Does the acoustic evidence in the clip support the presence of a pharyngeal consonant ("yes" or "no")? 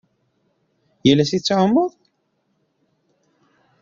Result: yes